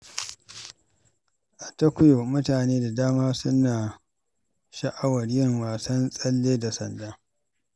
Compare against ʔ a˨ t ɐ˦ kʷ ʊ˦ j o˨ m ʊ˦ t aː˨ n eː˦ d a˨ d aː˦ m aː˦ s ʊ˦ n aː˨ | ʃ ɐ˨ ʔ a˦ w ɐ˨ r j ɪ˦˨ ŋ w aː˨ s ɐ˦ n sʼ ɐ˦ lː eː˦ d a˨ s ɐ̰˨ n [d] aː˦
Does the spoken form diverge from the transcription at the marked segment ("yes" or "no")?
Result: no